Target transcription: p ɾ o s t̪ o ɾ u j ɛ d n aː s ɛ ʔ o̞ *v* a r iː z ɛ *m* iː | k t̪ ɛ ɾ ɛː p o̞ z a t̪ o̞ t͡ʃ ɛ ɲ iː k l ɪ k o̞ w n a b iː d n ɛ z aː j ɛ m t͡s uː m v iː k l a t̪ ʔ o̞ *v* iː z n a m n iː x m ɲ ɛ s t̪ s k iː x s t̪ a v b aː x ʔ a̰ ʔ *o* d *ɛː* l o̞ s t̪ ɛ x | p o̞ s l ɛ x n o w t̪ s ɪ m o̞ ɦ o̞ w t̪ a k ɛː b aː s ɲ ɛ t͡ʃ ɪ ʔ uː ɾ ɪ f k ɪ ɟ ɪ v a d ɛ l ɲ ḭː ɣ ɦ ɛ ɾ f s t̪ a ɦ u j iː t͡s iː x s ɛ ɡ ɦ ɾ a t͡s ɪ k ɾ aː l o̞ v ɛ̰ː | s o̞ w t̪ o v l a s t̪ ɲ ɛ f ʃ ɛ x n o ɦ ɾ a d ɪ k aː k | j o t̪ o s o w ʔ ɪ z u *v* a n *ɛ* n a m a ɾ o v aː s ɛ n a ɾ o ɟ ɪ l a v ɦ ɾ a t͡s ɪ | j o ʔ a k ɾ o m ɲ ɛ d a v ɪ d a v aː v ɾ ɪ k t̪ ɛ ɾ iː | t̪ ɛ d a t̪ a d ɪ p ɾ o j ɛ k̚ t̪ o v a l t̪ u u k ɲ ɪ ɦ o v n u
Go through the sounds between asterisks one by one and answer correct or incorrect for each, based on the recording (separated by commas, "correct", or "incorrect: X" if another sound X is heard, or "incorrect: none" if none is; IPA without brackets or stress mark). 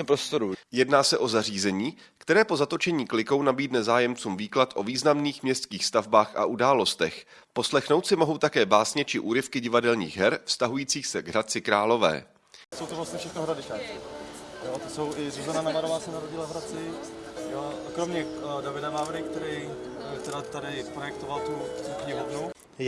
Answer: incorrect: z, incorrect: ɲ, correct, incorrect: u, incorrect: aː, incorrect: z, incorrect: a